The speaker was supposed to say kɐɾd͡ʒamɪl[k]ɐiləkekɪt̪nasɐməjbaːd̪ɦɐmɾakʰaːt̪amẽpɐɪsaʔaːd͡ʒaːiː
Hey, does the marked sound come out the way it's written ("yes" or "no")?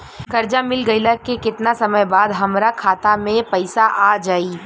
no